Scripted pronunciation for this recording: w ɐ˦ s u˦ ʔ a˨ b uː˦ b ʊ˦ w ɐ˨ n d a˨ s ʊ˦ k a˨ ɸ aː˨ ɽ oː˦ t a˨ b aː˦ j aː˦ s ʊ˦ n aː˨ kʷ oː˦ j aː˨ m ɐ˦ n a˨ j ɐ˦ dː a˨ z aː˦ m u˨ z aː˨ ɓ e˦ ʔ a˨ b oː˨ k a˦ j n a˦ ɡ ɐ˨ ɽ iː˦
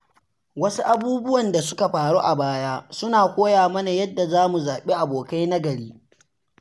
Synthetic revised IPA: w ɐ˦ s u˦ ʔ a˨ b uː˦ b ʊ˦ w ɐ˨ n d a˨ s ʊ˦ k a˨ ɸ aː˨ ɽ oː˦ ʔ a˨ b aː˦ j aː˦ s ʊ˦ n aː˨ kʷ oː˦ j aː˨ m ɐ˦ n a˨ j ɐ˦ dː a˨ z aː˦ m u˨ z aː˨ ɓ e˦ ʔ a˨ b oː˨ k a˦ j n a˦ ɡ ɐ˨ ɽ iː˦